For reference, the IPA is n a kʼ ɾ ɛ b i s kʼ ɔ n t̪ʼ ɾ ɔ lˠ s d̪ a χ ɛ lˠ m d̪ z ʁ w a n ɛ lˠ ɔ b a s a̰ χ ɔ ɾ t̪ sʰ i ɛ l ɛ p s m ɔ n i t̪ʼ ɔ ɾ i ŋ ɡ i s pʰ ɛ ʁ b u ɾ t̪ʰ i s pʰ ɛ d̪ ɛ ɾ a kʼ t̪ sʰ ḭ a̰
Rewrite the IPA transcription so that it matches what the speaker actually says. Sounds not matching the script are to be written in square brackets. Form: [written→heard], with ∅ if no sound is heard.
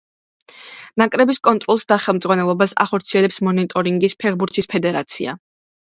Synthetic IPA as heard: n a kʼ ɾ ɛ b i s kʼ ɔ n t̪ʼ ɾ ɔ lˠ s d̪ a χ ɛ lˠ m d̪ z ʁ w a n ɛ lˠ ɔ b a s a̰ χ ɔ ɾ t̪ sʰ i ɛ l ɛ p s m ɔ n i t̪ʼ ɔ ɾ i ŋ ɡ i s pʰ ɛ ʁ b u ɾ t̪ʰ i s pʰ ɛ d̪ ɛ ɾ a [kʼ→∅] t̪ sʰ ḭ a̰